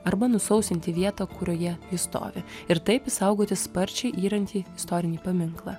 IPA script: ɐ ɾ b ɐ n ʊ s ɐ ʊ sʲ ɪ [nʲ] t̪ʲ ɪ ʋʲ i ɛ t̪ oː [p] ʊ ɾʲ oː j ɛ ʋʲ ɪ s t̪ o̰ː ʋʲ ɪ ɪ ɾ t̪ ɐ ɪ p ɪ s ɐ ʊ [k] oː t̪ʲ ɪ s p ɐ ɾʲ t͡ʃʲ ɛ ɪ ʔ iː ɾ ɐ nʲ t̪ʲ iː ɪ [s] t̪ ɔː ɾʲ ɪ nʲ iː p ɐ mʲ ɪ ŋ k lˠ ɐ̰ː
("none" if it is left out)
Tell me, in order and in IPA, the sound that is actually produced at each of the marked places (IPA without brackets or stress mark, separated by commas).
nʲ, k, ɡ, s